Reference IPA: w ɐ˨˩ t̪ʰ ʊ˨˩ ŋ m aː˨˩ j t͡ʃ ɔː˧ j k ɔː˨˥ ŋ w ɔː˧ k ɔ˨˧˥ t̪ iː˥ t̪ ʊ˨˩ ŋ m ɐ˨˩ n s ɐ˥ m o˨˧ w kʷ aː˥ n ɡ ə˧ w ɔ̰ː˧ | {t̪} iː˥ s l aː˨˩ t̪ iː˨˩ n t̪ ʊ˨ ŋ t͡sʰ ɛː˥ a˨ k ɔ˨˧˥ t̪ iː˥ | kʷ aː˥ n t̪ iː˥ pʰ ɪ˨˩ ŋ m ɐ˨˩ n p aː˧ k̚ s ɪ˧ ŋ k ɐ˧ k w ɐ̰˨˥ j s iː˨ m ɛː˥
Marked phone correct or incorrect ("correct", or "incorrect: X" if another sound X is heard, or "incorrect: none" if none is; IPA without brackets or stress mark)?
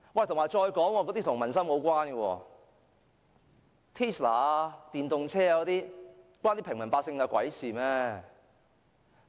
incorrect: t̪ʰ